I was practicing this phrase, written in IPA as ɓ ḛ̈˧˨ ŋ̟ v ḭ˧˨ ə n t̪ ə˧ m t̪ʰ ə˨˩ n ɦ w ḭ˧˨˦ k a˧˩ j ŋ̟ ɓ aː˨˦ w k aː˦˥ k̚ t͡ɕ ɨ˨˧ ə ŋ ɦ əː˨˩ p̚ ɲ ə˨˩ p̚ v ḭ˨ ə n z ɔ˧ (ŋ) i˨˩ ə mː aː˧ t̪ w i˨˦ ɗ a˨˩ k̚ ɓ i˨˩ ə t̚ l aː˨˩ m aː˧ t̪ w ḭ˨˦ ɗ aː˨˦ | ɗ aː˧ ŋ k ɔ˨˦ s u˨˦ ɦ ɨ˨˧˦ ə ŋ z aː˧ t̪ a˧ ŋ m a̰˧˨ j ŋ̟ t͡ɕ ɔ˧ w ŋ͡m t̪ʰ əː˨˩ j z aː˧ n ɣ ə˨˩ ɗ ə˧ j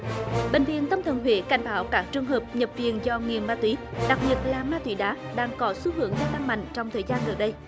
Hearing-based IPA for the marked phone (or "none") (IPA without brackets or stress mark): ŋ